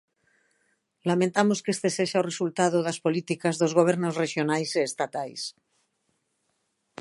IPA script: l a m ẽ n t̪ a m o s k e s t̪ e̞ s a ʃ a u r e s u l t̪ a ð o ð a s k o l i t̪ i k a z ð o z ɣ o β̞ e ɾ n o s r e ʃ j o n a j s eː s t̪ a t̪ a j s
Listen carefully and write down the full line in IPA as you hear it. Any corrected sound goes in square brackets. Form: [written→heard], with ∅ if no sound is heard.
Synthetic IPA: l a m ẽ n t̪ a m o s k e s t̪ e̞ s [a→e] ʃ a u r e s u l t̪ a ð o ð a s [k→p] o l i t̪ i k a z ð o z ɣ o β̞ e ɾ n o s r e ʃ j o n a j s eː s t̪ a t̪ a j s